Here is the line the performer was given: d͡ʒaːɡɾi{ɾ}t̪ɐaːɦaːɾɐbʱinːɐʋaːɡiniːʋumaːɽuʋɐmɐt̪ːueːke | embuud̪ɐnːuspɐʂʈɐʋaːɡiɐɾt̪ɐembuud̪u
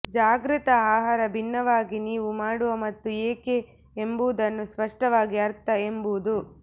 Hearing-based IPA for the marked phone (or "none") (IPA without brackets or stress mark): none